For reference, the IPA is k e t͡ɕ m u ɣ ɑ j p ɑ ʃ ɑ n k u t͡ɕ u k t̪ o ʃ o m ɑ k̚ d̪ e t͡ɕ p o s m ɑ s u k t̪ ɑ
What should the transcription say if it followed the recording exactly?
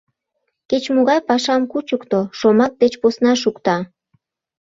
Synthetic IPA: k e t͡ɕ m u ɣ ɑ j p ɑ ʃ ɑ m k u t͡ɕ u k t̪ o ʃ o m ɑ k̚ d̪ e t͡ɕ p o s n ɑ ʃ u k t̪ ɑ